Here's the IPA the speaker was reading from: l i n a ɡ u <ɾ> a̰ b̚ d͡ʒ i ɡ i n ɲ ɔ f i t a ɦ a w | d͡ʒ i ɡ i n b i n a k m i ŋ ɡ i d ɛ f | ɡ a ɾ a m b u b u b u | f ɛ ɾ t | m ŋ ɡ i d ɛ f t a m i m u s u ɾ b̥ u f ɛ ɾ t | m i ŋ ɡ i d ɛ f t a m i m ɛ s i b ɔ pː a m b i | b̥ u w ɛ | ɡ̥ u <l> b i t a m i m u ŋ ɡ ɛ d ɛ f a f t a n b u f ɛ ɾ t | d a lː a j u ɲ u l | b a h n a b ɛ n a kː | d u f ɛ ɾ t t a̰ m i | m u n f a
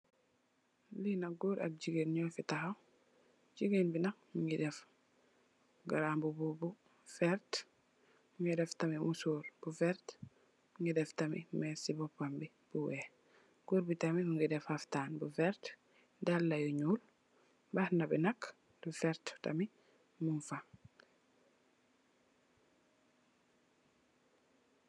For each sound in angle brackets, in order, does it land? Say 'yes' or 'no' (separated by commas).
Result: yes, no